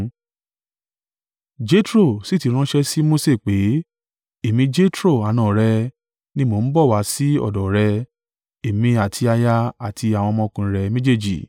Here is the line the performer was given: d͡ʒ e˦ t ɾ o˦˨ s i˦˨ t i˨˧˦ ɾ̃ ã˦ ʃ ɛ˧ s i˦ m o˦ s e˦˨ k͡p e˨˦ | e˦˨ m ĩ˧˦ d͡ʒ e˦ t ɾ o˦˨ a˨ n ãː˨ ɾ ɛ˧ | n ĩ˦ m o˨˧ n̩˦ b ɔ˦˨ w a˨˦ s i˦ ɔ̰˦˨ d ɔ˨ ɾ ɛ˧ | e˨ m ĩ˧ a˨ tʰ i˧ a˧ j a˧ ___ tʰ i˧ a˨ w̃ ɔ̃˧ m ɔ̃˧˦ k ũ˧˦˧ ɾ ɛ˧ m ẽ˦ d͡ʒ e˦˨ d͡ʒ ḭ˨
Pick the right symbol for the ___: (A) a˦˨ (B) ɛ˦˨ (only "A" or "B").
A